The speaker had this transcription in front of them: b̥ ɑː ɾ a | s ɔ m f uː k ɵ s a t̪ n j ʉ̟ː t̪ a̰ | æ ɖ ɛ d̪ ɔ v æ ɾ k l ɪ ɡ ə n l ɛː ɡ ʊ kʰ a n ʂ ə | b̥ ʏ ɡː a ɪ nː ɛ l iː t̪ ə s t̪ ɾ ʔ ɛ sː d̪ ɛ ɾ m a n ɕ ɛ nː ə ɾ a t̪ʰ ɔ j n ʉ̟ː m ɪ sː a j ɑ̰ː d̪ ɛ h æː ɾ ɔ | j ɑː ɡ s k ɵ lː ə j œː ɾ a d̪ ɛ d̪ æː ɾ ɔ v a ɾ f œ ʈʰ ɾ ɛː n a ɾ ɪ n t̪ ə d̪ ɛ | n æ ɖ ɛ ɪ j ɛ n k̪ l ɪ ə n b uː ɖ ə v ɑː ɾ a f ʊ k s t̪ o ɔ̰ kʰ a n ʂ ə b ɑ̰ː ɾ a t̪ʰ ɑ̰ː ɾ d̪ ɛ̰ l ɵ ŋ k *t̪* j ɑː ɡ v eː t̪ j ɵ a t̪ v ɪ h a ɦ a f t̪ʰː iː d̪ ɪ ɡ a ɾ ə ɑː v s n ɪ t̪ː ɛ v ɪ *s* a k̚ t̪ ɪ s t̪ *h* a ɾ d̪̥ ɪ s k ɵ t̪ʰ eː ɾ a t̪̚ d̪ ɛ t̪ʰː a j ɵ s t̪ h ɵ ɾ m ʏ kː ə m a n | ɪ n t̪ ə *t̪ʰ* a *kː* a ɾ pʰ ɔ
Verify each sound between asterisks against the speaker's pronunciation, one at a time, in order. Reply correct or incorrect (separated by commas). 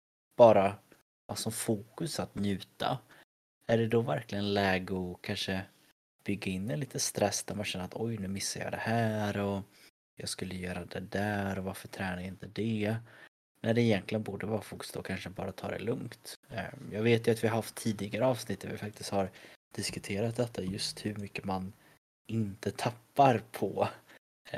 correct, incorrect, correct, correct, incorrect